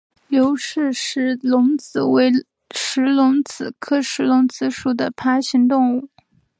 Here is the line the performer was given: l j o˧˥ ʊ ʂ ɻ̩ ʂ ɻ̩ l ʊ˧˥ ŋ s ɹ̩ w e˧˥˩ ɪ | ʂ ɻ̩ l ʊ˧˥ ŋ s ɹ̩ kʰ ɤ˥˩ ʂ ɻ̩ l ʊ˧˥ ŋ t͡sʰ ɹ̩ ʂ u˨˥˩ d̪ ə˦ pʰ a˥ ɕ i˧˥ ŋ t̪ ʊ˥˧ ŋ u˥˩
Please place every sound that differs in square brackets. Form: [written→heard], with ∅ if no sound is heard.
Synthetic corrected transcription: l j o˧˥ ʊ ʂ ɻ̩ ʂ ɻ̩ l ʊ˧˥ ŋ [s→t͡s] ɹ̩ w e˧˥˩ ɪ | ʂ ɻ̩ l ʊ˧˥ ŋ [s→t͡s] ɹ̩ kʰ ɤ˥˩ ʂ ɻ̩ l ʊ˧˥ ŋ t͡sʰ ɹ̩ ʂ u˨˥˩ d̪ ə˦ pʰ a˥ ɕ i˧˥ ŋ t̪ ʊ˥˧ ŋ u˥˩